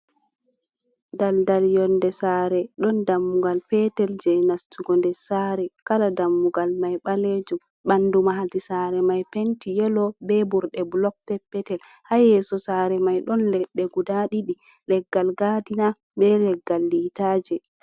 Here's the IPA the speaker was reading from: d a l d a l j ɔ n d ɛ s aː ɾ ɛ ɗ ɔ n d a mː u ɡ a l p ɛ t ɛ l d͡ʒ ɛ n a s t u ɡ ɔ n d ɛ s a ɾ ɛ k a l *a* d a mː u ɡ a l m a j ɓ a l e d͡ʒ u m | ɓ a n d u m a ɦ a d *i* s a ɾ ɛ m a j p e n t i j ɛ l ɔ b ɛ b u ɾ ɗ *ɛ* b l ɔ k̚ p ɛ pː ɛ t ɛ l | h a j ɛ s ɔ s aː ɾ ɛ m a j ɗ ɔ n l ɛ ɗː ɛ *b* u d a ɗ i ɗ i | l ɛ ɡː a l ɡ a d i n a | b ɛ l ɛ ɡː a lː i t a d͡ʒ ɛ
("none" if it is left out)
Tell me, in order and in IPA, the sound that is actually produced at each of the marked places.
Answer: a, i, ɛ, ɡ

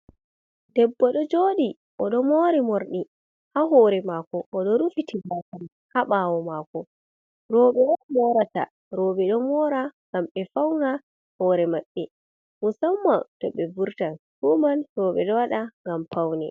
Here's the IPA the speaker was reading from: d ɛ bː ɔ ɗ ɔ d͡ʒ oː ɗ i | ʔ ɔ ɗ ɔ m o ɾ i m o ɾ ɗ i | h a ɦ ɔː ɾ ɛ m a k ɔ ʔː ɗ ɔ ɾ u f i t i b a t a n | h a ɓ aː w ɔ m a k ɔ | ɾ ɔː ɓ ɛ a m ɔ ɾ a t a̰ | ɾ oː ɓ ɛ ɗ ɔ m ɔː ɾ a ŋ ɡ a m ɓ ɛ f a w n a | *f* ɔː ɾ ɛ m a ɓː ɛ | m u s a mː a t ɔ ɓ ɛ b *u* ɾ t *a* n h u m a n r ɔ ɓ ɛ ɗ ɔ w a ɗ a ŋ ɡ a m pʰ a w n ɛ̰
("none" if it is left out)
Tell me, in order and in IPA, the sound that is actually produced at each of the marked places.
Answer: h, u, a

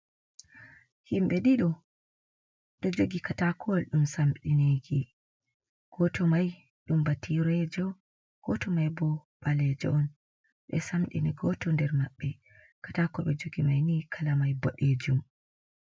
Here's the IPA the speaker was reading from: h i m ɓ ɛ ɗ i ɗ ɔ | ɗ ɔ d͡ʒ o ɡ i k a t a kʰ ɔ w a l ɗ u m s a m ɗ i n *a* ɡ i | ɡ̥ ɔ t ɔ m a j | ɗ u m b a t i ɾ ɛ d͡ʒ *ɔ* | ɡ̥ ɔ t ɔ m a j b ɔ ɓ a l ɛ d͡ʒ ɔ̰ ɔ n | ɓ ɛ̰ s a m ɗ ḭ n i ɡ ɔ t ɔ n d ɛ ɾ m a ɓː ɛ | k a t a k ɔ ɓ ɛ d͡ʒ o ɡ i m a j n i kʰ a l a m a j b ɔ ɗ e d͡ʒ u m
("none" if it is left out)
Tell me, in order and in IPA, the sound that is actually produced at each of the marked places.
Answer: e, ɔ

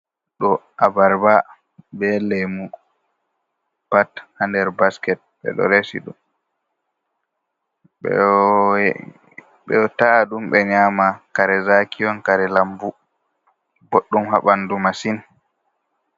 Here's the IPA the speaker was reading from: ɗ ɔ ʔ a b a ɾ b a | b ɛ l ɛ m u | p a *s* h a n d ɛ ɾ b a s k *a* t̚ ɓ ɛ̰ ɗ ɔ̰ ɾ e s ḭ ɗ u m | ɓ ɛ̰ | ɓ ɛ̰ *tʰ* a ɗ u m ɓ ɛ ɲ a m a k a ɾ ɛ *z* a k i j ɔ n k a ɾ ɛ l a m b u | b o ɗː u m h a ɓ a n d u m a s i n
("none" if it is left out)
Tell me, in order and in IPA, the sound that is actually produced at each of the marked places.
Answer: t, ɛ, t, z

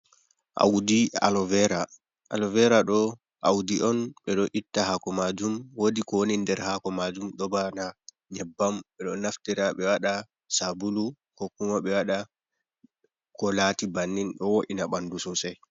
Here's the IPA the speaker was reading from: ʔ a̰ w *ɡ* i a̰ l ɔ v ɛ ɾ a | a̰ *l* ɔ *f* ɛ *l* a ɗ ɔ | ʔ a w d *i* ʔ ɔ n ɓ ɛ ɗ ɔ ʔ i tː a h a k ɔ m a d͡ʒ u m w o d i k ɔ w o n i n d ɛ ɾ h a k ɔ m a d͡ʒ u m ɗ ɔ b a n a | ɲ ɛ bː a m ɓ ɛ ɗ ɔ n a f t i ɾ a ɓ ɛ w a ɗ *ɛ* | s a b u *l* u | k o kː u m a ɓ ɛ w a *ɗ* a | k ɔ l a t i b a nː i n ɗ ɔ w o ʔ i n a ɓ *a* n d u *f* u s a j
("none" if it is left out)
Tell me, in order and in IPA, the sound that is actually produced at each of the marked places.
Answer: d, l, v, ɾ, i, a, l, ɗ, a, s

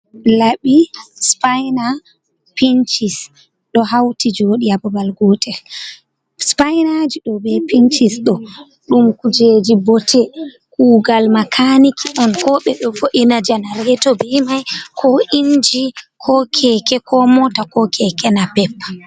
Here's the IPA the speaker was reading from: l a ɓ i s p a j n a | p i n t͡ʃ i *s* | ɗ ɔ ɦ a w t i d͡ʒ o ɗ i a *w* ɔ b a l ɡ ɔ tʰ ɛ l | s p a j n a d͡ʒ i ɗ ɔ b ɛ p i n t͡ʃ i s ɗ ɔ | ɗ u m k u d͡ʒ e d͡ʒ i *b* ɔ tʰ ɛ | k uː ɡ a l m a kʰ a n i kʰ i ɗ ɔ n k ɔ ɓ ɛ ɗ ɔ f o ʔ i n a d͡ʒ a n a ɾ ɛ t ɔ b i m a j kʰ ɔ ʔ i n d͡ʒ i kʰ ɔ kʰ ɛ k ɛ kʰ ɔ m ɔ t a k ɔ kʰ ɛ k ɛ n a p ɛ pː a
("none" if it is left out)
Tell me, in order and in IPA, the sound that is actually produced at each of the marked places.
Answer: s, b, b

